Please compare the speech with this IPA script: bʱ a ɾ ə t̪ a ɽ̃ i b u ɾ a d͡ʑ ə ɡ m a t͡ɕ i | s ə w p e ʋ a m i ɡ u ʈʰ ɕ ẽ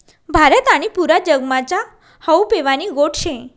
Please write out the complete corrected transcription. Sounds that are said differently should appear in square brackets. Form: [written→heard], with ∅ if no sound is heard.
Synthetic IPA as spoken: bʱ a ɾ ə t̪ a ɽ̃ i [b→p] u ɾ a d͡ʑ ə ɡ m a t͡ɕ [i→a] | [s→h] ə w p e ʋ a [m→n] i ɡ [u→o] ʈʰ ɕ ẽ